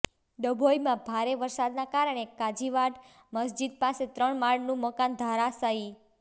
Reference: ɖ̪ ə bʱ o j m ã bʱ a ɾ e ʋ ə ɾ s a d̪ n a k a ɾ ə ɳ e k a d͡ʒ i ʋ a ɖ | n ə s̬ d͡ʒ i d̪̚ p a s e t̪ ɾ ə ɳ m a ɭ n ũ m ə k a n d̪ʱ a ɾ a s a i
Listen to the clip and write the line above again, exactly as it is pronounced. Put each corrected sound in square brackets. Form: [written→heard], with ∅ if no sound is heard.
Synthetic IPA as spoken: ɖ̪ ə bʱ o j m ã bʱ a ɾ e ʋ ə ɾ s a d̪ n a k a ɾ ə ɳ e k a d͡ʒ i ʋ a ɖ | [n→m] ə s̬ d͡ʒ i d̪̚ p a s e t̪ ɾ ə ɳ m a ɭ n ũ m ə k a n d̪ʱ a ɾ a s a i

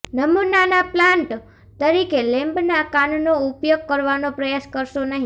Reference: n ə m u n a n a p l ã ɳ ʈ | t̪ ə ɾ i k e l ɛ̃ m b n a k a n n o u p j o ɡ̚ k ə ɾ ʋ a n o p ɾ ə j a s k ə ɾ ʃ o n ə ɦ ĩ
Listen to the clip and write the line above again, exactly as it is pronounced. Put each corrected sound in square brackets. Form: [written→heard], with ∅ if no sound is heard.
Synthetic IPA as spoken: n ə m u n a n a p l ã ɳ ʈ | t̪ ə ɾ i k e l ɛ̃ m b n a k a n n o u p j o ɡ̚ k ə ɾ ʋ a n o p ɾ ə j a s k ə ɾ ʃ o n ə ɦ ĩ

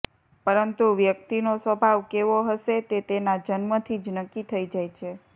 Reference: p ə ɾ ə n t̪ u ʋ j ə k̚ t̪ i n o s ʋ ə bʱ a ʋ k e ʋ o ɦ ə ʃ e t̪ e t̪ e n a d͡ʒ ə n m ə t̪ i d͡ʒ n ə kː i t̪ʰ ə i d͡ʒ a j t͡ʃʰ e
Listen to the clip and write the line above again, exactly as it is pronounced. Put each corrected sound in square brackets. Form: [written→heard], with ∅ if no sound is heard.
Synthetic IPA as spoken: p ə ɾ ə n t̪ u ʋ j ə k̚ t̪ i n o s ʋ ə bʱ a ʋ k e ʋ o ɦ ə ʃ e t̪ e t̪ e n a d͡ʒ ə n m ə [t̪→t̪ʰ] i d͡ʒ n ə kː i t̪ʰ ə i d͡ʒ a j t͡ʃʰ e

